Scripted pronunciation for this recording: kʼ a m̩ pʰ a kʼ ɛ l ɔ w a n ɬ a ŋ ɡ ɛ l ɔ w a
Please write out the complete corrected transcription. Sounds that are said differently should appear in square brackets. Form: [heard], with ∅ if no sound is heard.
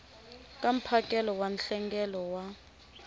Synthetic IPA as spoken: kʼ a m̩ pʰ a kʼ ɛ l ɔ w a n ɬ [ɛ] ŋ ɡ ɛ l ɔ w a